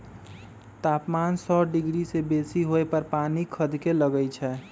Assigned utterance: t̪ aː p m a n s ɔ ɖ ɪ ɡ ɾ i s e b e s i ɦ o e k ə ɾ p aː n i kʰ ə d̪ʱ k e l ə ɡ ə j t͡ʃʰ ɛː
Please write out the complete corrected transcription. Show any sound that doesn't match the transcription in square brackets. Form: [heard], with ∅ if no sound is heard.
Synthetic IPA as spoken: t̪ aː p m a n s ɔ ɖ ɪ ɡ ɾ i s e b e s i ɦ o e [p] ə ɾ p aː n i kʰ ə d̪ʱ k e l ə ɡ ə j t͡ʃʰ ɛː